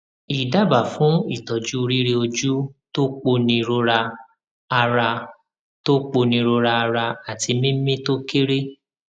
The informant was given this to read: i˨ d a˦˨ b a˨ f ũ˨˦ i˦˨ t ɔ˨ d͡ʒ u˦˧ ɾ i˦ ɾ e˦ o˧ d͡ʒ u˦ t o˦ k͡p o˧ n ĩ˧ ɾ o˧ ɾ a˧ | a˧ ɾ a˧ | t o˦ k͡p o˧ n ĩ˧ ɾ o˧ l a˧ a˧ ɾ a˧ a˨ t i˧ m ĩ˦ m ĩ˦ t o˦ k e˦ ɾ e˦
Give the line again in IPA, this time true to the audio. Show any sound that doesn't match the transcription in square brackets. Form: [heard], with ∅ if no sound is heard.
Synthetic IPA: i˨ d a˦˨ b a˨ f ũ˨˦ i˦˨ t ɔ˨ d͡ʒ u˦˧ ɾ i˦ ɾ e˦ o˧ d͡ʒ u˦ t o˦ k͡p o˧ n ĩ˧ ɾ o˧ ɾ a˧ | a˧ ɾ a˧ | t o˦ k͡p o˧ n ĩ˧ ɾ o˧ [ɾ] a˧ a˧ ɾ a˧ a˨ t i˧ m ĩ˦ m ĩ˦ t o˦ k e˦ ɾ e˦